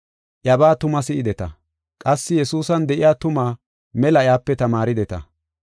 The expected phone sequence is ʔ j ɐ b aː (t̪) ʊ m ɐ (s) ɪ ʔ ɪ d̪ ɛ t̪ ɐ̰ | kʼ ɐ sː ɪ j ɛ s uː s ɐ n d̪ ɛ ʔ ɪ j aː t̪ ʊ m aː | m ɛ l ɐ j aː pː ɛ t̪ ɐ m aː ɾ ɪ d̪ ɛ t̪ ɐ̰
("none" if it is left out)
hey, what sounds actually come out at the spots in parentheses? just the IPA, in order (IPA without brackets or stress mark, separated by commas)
t̪, s